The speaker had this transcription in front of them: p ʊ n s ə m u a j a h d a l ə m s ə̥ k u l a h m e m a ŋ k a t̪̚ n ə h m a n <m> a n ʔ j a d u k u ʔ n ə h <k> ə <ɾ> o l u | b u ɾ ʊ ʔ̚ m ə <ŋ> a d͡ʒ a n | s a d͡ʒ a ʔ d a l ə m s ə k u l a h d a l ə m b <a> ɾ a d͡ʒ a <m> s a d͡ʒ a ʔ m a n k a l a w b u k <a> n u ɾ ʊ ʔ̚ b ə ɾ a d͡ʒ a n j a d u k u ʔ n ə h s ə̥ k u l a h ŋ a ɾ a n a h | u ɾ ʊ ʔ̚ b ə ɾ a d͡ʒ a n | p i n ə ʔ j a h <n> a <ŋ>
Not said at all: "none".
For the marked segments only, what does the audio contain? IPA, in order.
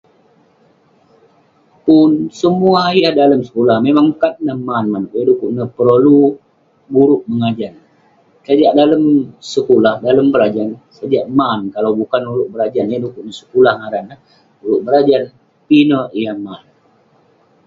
m, p, ɾ, ŋ, ə, n, a, m, n

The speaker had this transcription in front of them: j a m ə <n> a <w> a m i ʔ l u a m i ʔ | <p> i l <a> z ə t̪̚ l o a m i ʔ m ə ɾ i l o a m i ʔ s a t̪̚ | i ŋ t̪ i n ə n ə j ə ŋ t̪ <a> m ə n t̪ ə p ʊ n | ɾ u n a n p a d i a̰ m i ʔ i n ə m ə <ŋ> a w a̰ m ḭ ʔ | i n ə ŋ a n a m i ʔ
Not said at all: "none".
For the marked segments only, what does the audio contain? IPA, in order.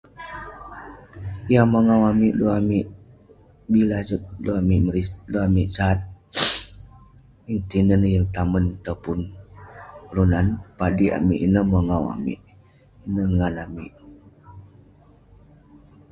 ŋ, w, b, a, a, ŋ

